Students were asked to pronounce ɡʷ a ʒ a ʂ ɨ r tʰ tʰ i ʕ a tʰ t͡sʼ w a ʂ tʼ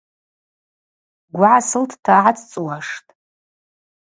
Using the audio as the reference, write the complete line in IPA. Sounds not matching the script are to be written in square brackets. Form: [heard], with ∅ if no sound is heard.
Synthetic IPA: ɡʷ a [ʕ] a [s] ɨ [l] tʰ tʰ [a] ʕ a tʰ t͡sʼ w a ʂ tʼ